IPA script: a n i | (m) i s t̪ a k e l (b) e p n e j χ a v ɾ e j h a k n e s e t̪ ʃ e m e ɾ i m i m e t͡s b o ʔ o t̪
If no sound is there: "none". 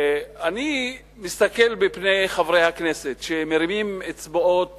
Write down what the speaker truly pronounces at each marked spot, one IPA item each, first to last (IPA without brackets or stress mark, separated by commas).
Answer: m, b